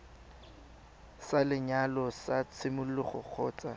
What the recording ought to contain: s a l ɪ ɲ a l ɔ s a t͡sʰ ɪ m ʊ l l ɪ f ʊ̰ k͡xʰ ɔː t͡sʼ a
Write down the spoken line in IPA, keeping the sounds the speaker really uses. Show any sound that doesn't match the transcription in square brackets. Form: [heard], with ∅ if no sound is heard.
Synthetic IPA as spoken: s a l ɪ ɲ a l ɔ s a t͡sʰ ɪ m ʊ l l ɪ [χ] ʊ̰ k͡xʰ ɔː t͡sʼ a